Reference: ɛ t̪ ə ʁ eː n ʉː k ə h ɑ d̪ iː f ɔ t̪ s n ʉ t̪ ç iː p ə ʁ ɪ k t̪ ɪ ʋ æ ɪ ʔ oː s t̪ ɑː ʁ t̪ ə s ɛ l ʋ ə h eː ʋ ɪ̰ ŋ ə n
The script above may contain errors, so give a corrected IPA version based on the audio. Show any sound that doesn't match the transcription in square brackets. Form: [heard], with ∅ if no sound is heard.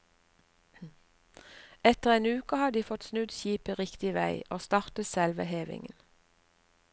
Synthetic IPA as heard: ɛ t̪ ə ʁ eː n ʉː k ə h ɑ d̪ iː f ɔ t̪ s n ʉ [d̪] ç iː p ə ʁ ɪ k t̪ ɪ ʋ æ ɪ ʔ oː s t̪ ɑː ʁ t̪ ə s ɛ l ʋ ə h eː ʋ ɪ̰ ŋ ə n